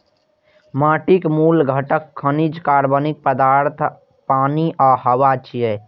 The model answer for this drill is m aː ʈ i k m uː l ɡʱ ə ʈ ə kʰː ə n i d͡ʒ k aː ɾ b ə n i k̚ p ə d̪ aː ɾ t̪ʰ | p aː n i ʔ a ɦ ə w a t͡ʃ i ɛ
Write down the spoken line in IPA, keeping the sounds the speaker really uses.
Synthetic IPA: m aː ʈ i k m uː l ɡʱ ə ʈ ə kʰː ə n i d͡ʒ k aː ɾ b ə n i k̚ p ə d̪ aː ɾ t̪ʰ | p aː n i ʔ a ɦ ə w a t͡ʃ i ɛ